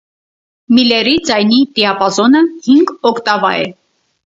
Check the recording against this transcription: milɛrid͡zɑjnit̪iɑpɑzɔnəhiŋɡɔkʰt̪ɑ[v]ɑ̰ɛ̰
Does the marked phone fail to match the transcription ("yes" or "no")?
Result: no